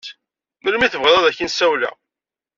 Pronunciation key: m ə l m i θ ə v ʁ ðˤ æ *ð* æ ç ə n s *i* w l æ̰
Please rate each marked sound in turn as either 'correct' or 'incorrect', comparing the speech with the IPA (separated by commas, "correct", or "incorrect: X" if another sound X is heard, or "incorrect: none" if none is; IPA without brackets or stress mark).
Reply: correct, incorrect: æ